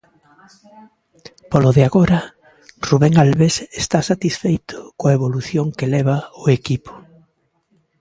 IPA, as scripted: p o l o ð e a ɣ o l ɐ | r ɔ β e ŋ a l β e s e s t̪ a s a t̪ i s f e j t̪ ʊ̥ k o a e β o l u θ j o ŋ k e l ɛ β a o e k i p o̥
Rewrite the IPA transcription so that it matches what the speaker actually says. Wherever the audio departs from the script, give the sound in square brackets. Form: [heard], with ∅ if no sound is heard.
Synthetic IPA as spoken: p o l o ð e a ɣ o [ɾ] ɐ | r [u] β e ŋ a l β e s e s t̪ a s a t̪ i s f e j t̪ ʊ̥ k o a e β o l u θ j o ŋ k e l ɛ β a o e k i p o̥